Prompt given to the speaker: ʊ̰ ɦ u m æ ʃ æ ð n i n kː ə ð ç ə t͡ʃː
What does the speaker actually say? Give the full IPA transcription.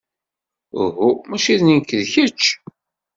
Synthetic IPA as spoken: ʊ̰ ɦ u m æ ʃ i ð n i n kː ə ð ç ə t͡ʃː

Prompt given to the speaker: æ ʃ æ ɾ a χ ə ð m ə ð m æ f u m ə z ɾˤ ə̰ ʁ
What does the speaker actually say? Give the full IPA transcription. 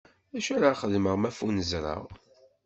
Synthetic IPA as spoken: æ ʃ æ ɾ a χ ə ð m ə ʁ m æ f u n ə z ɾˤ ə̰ ʁ

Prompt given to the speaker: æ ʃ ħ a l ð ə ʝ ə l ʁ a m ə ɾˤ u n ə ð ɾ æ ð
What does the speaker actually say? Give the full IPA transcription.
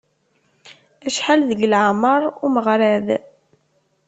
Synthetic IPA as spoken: æ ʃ ħ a l ð ə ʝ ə l ʕ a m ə ɾˤ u m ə ʁ ɾ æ ð

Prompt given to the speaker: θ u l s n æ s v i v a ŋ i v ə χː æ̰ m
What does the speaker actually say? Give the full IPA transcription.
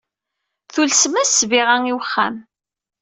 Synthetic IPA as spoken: θ u l s m æ s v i ʁ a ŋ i w ə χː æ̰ m

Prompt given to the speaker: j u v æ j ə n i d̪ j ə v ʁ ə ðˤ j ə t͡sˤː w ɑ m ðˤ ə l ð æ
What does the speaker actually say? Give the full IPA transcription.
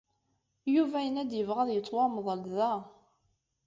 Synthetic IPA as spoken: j u v æ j ə n æ d̪ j ə v ʁ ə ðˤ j ə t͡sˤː w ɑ m ðˤ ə l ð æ

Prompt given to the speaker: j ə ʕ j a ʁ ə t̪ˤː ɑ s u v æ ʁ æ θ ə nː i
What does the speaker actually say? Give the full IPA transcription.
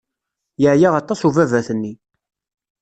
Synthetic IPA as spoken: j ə ʕ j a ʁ ɑ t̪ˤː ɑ s u v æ v æ θ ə nː i

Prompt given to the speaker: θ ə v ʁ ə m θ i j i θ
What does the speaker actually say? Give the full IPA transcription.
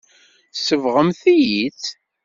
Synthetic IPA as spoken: s ə v ʁ ə m θ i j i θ

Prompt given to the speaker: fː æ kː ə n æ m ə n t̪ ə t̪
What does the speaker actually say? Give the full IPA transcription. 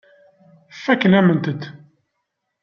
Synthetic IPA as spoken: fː æ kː ə n æ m ə n t̪ ə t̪

